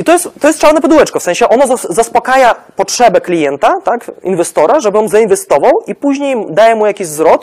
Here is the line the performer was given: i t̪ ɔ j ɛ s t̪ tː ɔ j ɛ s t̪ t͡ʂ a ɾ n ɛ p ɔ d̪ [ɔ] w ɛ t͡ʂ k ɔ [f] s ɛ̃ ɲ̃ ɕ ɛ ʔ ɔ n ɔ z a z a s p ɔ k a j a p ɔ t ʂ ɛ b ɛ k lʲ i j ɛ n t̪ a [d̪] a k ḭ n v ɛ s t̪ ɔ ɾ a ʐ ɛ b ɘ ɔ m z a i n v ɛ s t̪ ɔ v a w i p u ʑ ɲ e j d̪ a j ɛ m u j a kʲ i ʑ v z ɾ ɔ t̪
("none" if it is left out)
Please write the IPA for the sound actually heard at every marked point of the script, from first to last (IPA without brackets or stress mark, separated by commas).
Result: u, f, t̪